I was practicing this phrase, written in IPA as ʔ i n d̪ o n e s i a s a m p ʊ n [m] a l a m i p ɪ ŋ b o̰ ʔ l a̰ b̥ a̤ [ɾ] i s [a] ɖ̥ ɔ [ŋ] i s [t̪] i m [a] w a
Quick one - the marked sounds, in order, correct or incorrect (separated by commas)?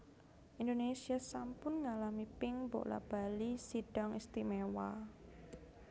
incorrect, incorrect, incorrect, correct, correct, incorrect